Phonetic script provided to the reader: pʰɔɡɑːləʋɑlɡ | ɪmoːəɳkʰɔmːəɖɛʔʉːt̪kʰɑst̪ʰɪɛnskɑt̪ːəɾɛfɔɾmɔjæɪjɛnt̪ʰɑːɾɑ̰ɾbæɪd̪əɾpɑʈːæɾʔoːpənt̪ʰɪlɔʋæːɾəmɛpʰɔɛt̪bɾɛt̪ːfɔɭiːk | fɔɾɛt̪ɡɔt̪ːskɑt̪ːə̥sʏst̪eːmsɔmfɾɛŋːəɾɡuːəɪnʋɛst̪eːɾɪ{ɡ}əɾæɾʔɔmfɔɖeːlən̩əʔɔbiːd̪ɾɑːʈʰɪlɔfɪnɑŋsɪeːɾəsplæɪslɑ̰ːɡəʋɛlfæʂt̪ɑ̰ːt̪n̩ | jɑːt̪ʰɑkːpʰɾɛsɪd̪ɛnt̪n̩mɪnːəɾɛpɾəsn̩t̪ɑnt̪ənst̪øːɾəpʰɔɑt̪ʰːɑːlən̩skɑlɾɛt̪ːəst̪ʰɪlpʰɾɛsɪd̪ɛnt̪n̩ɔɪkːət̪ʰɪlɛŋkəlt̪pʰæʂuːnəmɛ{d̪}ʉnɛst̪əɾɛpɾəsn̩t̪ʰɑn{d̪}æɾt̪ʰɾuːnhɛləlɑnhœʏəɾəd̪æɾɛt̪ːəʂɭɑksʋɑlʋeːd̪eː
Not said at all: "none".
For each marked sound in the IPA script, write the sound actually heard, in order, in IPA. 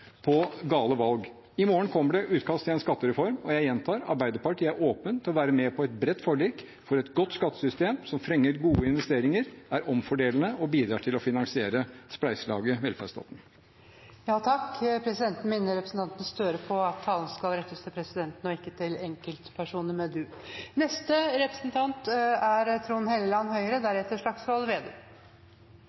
ŋ, d̪, t̪

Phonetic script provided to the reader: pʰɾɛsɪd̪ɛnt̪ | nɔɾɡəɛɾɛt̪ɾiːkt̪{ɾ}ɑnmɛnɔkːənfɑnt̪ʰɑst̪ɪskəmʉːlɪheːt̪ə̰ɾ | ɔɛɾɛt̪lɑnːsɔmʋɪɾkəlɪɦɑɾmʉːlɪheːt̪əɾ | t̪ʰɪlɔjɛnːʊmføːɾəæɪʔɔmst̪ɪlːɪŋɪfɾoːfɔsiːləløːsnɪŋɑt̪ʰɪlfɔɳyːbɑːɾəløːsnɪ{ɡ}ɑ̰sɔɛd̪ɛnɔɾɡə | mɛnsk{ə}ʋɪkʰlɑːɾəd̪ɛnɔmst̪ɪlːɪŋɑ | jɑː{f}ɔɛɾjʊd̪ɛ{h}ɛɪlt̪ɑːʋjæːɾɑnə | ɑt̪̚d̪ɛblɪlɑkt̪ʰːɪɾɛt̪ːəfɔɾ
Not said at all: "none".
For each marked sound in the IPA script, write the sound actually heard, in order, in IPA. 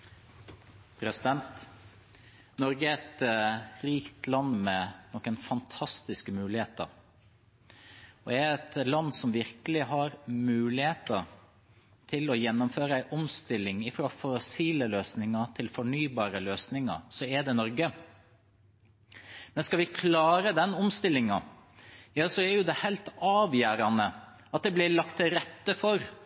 l, ŋ, ɑ, s, h

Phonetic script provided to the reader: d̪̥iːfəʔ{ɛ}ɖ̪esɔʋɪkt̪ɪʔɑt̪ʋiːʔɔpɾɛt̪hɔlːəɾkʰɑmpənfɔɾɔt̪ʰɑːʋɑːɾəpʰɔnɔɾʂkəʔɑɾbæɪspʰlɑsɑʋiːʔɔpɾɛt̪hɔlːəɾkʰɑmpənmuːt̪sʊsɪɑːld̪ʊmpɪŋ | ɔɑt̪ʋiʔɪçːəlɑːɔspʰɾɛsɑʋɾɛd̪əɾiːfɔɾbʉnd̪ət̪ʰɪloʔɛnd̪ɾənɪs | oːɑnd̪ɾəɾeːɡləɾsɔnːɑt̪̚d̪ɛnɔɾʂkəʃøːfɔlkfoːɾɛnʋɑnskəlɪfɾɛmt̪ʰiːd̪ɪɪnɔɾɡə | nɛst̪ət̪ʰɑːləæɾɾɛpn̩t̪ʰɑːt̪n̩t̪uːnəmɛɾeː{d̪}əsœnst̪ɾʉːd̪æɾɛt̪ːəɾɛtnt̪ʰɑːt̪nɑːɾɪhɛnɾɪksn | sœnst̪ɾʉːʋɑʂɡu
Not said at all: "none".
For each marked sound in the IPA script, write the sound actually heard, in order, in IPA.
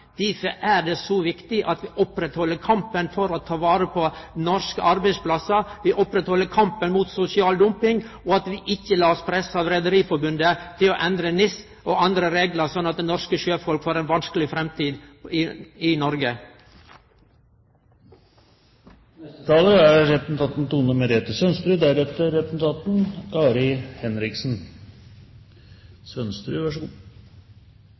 æ, t̪

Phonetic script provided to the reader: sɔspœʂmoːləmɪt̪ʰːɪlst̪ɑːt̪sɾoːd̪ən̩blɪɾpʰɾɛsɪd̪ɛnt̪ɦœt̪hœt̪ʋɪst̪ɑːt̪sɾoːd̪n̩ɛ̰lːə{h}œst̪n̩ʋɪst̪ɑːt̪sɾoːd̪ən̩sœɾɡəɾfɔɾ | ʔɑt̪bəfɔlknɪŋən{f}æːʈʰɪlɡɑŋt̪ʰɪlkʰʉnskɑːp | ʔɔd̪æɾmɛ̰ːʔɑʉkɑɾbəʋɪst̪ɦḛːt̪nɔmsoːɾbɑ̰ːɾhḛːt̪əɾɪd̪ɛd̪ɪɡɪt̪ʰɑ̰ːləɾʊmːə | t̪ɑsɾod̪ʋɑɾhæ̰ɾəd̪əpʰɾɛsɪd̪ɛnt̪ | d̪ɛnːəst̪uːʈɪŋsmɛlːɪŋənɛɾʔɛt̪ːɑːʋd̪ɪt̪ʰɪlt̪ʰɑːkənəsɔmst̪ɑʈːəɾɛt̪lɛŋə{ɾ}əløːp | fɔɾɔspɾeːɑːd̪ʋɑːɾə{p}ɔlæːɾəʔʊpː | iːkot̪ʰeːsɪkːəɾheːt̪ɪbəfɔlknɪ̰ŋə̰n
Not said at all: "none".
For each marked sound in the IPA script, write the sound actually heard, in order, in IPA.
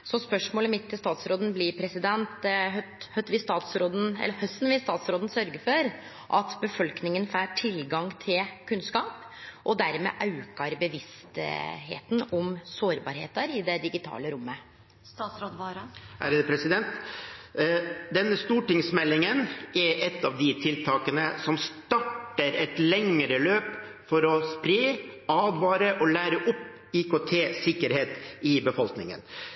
h, f, ɾ, ʔ

